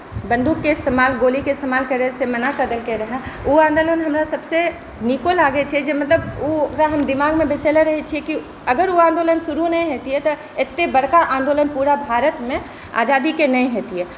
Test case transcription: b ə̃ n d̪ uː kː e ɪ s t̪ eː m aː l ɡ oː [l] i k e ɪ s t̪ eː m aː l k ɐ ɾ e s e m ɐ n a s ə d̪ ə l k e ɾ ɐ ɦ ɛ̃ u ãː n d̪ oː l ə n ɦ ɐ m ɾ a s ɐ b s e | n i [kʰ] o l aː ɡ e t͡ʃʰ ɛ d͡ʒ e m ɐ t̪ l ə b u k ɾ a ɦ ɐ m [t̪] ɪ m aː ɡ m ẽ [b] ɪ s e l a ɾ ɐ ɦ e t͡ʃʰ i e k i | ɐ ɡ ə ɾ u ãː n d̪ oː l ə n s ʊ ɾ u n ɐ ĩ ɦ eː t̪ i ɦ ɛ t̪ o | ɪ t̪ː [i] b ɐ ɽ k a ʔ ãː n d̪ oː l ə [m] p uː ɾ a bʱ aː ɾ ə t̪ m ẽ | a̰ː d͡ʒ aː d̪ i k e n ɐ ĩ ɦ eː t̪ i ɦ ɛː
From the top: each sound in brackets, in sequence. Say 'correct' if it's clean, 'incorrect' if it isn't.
correct, incorrect: k, incorrect: d̪, correct, incorrect: e, incorrect: n

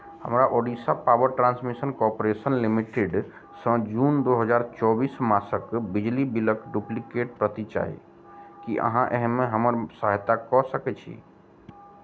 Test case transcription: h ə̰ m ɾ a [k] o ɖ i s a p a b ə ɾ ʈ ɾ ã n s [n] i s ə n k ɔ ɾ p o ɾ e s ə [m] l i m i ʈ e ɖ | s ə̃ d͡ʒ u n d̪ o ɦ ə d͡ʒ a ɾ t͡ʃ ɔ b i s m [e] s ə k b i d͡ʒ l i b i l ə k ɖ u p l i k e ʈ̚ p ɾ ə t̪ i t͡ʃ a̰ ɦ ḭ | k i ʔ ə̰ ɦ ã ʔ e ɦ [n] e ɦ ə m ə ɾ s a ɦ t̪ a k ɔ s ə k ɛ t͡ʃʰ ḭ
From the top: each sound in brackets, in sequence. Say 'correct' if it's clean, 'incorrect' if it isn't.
incorrect: ʔ, incorrect: m, incorrect: n, incorrect: a, incorrect: m

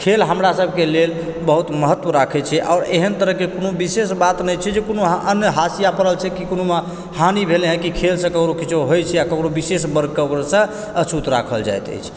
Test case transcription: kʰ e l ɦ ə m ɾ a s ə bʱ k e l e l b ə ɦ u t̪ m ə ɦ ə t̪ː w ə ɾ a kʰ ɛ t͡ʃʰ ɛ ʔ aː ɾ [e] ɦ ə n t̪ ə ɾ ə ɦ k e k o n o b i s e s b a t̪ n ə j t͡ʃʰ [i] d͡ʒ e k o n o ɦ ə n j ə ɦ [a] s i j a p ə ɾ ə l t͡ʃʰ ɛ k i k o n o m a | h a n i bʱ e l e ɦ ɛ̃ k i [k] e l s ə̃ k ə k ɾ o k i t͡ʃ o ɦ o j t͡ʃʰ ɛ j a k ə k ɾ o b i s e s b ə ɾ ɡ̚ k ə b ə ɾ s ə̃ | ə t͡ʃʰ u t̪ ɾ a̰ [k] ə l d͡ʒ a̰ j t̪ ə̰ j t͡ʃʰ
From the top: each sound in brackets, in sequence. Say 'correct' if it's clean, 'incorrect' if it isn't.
correct, incorrect: ɛ, correct, incorrect: kʰ, incorrect: kʰ

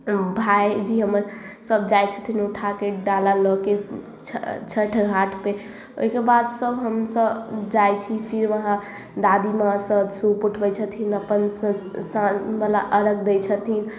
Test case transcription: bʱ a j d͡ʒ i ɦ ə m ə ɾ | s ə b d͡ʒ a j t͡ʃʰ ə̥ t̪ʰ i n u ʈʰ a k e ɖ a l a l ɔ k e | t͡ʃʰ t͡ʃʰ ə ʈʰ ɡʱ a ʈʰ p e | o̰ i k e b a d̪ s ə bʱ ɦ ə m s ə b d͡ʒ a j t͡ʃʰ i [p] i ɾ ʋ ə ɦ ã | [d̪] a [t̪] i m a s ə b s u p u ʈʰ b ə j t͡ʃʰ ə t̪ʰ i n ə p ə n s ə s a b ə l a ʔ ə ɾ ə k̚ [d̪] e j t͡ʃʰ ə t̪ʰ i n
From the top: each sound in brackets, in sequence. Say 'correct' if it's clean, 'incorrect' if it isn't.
incorrect: pʰ, correct, incorrect: d̪, correct

